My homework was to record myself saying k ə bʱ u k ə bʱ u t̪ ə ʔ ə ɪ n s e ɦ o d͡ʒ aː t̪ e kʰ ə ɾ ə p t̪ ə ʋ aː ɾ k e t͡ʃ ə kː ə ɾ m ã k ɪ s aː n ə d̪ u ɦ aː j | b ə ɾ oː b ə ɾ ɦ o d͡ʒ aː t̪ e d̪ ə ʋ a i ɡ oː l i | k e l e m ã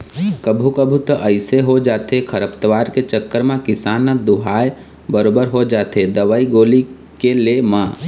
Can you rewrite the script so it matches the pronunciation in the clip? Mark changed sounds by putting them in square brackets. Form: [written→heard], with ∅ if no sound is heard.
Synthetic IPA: k ə bʱ u k ə bʱ u t̪ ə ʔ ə ɪ [n→∅] s e ɦ o d͡ʒ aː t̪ e kʰ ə ɾ ə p t̪ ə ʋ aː ɾ k e t͡ʃ ə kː ə ɾ m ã k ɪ s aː n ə d̪ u ɦ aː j | b ə ɾ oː b ə ɾ ɦ o d͡ʒ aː t̪ e d̪ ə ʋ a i ɡ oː l i | k e l e m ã